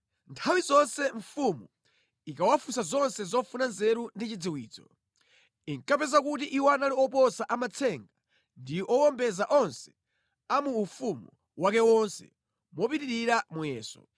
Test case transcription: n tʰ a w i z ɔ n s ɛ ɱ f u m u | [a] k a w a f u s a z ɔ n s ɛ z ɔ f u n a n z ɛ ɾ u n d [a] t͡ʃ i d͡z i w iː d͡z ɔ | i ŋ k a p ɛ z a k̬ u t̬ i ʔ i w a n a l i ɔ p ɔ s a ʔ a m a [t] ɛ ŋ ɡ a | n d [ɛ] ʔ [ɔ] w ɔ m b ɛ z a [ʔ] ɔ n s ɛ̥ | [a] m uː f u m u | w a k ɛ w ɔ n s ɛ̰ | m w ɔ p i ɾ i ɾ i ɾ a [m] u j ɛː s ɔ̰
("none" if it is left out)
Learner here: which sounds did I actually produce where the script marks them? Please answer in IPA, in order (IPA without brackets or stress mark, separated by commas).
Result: i, i, t͡sʰ, i, ɔ, ʔ, a, m